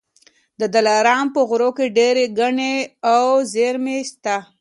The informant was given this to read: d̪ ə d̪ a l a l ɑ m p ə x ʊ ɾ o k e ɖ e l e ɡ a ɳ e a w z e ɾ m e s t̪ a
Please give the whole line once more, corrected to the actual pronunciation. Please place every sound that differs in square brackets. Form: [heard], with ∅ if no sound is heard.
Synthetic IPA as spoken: d̪ ə d̪ a l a [ɾ] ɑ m p ə [ɣ] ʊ ɾ o k e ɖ e [ɾ] e ɡ a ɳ e a w z e ɾ m e s t̪ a